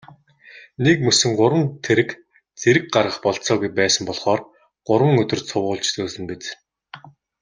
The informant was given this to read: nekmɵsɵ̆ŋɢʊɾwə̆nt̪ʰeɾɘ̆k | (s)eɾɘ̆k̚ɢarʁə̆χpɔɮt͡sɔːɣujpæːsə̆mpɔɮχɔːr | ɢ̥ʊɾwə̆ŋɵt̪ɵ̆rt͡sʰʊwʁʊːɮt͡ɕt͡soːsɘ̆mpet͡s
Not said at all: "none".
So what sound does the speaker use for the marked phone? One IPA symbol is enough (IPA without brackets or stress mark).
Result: t͡s